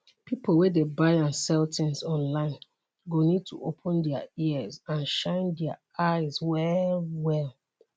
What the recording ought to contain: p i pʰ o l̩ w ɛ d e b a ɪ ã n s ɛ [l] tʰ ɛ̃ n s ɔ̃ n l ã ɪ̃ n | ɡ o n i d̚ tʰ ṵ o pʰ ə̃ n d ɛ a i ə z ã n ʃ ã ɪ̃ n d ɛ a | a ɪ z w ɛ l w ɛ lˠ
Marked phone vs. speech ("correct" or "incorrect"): correct